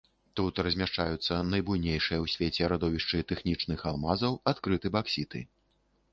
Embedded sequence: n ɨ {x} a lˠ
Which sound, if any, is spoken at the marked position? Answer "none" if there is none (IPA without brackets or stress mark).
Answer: x